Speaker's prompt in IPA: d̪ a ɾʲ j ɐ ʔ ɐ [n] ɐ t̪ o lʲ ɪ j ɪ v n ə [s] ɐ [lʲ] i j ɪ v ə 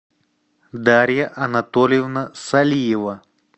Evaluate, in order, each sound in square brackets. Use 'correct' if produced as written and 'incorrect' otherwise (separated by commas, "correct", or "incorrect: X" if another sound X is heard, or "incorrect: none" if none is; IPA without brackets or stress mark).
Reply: correct, correct, correct